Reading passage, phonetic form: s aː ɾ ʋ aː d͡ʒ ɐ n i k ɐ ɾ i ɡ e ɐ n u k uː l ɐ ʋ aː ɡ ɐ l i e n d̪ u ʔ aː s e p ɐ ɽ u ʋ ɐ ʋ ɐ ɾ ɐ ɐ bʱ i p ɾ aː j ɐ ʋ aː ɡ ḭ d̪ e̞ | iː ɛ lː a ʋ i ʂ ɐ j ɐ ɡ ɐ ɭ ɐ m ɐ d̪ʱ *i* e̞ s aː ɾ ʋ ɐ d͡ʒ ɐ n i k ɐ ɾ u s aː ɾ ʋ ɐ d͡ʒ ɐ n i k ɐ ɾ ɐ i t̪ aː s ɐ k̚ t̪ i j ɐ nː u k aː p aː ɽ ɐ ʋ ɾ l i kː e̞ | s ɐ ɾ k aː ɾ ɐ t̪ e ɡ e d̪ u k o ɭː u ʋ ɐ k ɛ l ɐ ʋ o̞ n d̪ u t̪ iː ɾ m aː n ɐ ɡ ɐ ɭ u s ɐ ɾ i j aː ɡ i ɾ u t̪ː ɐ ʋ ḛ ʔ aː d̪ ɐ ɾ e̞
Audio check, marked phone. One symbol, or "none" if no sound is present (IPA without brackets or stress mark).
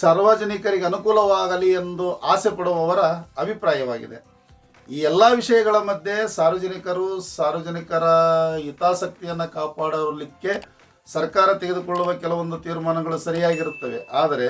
j